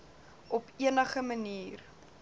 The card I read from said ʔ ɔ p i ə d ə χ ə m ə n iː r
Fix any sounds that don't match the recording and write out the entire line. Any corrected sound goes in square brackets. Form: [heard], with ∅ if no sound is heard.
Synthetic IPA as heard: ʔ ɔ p i ə [n] ə χ ə m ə n iː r